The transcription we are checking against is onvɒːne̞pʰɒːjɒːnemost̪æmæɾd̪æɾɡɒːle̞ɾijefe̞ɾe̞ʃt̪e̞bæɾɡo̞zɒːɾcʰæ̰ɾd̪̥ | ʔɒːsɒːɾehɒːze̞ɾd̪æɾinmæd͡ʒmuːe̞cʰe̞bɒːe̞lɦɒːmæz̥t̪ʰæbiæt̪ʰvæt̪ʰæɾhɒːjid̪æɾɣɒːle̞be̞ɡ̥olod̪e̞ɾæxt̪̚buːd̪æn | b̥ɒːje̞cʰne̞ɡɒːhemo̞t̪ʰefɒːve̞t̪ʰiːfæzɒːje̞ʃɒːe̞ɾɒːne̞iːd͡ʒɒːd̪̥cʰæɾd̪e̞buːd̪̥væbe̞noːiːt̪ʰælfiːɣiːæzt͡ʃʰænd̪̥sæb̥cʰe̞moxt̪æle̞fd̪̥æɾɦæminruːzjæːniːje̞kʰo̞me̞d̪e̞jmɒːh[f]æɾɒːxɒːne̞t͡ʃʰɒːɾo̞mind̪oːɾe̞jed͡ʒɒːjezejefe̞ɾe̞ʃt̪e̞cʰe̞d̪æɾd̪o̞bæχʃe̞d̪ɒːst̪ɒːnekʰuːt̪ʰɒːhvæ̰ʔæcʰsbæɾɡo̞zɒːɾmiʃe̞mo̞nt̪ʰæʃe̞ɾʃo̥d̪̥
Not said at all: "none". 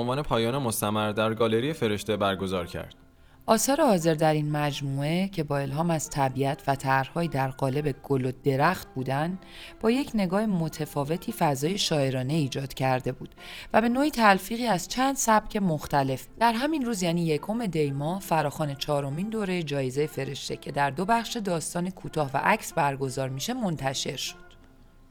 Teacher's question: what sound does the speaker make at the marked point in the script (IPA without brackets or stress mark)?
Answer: f